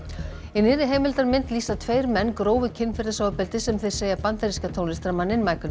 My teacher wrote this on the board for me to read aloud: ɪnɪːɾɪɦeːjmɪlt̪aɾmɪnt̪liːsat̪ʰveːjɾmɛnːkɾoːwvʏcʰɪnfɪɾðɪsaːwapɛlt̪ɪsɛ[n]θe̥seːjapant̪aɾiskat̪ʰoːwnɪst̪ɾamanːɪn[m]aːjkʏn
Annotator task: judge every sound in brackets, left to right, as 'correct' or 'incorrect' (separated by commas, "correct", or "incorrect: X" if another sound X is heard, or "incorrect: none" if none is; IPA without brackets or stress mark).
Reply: incorrect: m, correct